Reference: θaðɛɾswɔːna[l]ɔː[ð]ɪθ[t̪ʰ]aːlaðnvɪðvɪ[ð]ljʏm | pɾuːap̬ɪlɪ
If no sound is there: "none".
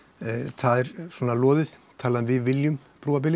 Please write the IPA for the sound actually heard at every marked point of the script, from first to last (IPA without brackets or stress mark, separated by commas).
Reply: l, ð, t̪ʰ, none